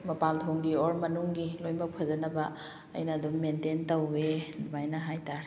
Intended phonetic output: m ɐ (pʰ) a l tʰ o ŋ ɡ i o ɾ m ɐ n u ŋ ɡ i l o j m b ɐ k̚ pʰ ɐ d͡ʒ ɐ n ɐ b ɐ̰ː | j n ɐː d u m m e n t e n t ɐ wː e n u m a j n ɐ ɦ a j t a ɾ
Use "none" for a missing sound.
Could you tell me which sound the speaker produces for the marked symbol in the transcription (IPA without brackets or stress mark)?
p